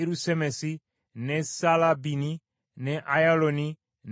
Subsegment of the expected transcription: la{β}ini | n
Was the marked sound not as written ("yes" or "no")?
yes